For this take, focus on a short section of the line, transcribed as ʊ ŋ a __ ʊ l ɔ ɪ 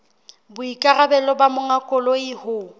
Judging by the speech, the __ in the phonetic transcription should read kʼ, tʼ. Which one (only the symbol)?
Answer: kʼ